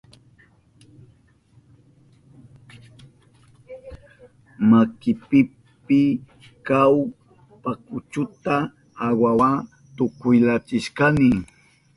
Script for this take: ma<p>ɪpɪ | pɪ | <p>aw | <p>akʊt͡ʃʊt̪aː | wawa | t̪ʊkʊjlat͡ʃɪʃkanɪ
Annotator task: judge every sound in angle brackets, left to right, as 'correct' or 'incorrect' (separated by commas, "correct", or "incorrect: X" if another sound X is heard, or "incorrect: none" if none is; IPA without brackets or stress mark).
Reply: incorrect: k, incorrect: k, correct